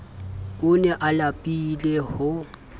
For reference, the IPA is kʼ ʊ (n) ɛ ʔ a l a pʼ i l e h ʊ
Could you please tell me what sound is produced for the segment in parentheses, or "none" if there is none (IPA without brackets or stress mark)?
n